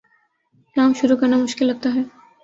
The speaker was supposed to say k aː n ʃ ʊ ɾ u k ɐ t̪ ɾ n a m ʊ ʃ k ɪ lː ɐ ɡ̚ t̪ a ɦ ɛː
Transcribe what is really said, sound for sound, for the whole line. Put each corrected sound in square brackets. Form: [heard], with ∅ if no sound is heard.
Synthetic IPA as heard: k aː [m] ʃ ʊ ɾ u k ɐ [∅] ɾ n a m ʊ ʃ k ɪ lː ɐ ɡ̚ t̪ a ɦ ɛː